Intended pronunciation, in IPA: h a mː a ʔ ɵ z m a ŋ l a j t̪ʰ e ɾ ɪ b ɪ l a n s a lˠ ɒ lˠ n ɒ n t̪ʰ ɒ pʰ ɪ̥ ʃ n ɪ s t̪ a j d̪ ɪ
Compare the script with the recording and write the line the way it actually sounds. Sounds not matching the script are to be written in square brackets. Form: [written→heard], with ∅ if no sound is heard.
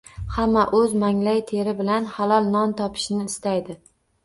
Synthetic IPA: h a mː a ʔ ɵ z m a ŋ l a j t̪ʰ e ɾ ɪ b ɪ l a n [s→h] a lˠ ɒ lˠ n ɒ n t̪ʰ ɒ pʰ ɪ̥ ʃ n [ɪ→ɪː] s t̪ a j d̪ ɪ